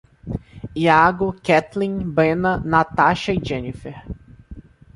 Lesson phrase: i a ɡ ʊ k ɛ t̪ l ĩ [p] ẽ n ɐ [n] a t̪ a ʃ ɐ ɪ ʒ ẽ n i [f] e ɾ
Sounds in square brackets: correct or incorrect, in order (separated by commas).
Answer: incorrect, correct, correct